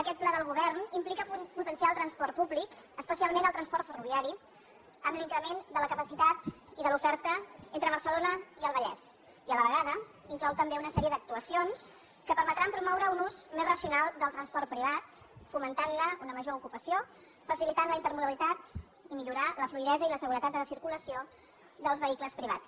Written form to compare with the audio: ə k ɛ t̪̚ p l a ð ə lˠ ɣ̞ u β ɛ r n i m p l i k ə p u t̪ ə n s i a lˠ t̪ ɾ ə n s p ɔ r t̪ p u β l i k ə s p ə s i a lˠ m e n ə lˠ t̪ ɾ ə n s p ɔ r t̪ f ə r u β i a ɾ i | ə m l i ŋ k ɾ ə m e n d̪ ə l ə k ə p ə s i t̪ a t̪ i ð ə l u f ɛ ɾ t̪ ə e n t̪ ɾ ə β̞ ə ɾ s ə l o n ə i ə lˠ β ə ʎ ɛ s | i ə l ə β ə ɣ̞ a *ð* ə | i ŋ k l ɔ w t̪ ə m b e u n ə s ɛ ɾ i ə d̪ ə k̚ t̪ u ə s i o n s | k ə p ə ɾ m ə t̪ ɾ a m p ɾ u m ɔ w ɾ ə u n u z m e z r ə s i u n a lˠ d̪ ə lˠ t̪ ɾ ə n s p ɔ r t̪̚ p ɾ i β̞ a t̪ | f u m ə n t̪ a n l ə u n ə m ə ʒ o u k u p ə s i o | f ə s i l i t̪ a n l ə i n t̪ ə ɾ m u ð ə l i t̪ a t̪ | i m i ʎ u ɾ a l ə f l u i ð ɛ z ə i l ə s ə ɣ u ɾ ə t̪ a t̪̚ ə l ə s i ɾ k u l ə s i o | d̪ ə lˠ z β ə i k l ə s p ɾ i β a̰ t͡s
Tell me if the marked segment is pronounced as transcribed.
yes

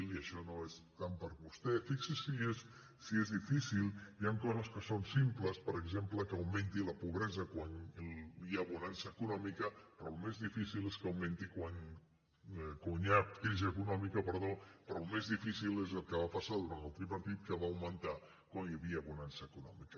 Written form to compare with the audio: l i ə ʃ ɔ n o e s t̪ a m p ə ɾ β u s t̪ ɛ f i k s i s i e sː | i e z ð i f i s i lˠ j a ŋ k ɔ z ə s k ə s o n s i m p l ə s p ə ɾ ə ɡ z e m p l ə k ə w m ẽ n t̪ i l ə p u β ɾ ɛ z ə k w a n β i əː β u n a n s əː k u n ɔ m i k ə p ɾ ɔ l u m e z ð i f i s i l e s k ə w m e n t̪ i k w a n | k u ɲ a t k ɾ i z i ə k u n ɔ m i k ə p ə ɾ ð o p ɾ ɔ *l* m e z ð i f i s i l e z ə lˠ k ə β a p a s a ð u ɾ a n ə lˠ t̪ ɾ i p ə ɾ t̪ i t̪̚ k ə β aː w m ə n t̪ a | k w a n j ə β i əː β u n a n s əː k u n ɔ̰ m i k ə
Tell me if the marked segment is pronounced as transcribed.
yes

